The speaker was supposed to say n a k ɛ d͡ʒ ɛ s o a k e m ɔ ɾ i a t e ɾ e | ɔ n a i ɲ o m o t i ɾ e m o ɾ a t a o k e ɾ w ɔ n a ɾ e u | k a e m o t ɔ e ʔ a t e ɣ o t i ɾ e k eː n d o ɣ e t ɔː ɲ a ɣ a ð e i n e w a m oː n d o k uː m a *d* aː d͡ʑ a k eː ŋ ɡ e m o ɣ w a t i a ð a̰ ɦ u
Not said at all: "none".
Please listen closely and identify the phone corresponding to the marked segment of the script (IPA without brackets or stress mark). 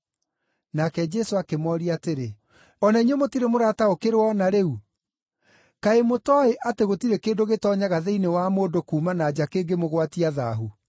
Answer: n